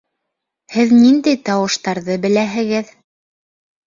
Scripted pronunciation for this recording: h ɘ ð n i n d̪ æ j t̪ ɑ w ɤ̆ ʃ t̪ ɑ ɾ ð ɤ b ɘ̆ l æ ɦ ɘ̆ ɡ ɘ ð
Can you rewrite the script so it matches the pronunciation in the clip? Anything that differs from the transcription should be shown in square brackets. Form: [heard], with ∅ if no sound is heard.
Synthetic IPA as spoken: h ɘ ð n i n d̪ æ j t̪ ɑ w ɤ̆ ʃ t̪ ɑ ɾ ð ɤ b ɘ̆ l æ ɦ ɘ̆ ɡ ɘ ð